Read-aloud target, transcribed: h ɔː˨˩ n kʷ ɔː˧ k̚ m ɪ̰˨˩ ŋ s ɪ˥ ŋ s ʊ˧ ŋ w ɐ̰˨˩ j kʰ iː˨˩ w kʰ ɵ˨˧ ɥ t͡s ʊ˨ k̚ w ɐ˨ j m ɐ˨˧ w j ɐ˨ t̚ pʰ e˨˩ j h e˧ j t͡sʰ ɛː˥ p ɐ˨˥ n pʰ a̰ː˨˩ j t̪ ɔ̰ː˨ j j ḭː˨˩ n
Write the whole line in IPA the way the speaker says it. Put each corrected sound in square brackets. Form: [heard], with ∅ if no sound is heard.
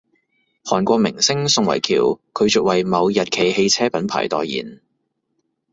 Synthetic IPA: h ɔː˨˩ n kʷ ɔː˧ k̚ m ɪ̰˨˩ ŋ s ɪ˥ ŋ s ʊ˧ ŋ w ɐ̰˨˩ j kʰ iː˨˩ w kʰ ɵ˨˧ ɥ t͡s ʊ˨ k̚ w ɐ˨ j m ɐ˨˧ w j ɐ˨ t̚ [kʰ] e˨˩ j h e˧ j t͡sʰ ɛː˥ p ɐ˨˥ n pʰ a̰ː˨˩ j t̪ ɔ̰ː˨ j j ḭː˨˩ n